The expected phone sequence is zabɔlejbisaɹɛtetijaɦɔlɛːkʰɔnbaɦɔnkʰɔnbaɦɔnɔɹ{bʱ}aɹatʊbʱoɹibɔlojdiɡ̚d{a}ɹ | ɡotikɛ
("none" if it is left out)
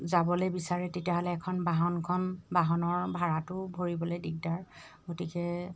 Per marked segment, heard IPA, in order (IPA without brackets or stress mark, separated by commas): bʱ, a